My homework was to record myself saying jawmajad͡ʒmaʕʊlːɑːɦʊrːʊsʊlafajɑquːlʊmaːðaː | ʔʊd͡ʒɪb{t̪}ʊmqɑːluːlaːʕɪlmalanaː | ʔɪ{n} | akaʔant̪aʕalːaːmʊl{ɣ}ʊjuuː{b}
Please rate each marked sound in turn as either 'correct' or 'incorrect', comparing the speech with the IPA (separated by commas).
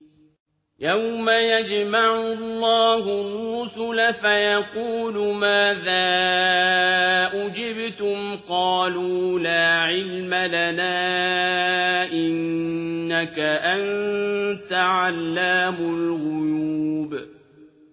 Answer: correct, incorrect, correct, correct